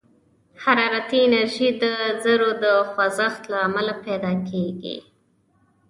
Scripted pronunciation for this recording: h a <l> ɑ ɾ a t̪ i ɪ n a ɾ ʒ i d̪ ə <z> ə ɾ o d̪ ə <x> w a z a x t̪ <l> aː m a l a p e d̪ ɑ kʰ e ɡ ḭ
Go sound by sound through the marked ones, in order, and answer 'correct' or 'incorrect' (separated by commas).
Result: incorrect, correct, correct, correct